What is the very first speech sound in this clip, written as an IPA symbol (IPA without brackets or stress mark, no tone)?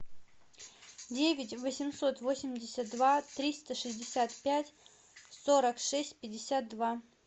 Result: dʲ